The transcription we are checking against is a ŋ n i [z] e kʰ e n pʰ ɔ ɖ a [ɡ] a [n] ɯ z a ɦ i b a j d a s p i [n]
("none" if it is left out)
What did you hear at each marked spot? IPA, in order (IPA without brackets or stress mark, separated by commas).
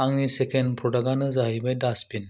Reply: s, ɡ, n, n